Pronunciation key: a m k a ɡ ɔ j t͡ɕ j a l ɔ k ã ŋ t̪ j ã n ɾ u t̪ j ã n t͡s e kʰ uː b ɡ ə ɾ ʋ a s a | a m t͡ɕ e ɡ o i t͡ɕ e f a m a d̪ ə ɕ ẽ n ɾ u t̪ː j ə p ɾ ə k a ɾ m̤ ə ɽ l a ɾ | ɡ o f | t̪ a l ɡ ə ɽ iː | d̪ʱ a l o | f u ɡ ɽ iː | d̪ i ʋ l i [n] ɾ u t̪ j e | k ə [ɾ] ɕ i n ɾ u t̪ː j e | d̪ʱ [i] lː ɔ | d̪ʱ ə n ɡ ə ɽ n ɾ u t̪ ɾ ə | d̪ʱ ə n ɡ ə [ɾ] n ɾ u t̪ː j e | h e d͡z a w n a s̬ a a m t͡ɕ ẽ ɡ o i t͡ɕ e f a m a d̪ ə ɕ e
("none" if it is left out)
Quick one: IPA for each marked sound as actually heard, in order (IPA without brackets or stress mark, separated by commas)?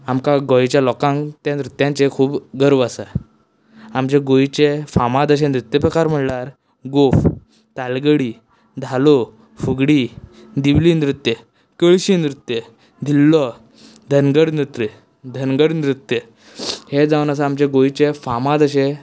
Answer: n, ɭ, i, ɽ